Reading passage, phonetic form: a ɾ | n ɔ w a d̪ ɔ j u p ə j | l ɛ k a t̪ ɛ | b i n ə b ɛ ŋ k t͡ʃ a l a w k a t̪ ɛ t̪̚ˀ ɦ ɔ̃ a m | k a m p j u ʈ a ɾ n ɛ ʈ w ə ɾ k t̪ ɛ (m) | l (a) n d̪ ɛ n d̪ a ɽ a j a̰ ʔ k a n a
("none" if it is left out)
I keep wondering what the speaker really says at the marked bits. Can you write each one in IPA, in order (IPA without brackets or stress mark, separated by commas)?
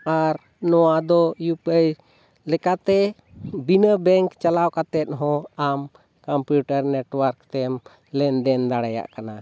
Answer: m, ɛ